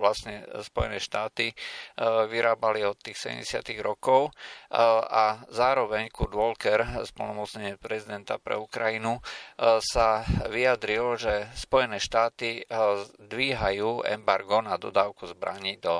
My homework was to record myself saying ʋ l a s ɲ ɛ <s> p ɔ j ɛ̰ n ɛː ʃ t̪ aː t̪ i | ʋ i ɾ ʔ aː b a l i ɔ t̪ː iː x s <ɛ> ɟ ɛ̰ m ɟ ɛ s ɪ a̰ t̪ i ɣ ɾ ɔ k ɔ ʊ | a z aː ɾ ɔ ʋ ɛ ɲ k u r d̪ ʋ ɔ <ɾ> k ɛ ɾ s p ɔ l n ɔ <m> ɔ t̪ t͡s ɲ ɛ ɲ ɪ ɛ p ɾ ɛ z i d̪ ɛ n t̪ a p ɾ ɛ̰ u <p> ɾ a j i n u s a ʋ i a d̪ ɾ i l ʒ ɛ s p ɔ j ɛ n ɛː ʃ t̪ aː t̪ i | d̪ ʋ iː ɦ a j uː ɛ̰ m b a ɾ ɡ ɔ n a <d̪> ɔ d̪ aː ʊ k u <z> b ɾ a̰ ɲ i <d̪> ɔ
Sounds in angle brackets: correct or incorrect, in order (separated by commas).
correct, correct, incorrect, correct, incorrect, correct, correct, correct